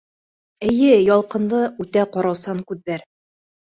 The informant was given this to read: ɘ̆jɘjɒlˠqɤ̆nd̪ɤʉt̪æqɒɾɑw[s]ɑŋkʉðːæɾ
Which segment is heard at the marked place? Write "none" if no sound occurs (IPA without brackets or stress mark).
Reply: s